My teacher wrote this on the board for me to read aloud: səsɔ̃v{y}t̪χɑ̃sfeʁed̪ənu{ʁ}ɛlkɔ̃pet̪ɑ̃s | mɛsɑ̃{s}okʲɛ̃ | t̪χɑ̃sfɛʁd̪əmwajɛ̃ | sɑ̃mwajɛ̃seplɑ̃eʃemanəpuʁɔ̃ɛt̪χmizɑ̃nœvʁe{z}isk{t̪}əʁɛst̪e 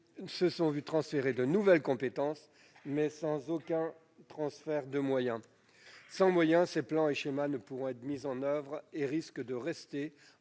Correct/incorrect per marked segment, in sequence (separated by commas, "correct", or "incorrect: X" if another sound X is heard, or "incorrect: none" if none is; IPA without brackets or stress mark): correct, incorrect: v, incorrect: z, incorrect: ʁ, incorrect: d̪